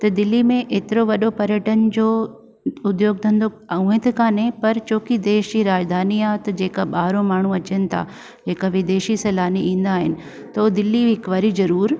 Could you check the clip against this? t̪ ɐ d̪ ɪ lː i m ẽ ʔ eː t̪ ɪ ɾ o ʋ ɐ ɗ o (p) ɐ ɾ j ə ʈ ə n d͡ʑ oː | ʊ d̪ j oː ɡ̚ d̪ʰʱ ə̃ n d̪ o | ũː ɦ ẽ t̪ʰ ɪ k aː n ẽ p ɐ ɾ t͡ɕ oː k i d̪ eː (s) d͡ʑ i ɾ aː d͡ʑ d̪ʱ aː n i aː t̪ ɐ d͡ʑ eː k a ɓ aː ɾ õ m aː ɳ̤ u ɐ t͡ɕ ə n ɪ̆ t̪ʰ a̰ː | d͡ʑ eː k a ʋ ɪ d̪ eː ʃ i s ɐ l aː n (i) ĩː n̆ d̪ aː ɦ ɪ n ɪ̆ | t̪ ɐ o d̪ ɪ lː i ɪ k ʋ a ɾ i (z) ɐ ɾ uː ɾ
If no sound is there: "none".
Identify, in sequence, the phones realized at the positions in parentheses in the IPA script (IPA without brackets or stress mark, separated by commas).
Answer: p, ʃ, i, z